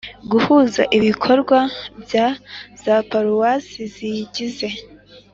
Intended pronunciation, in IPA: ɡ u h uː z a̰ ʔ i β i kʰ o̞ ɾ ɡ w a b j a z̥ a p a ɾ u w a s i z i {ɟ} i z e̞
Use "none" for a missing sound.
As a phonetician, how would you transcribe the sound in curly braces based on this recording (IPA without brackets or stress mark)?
ɟ